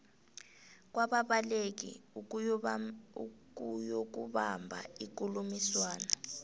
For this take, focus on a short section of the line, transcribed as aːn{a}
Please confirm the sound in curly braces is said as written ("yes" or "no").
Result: yes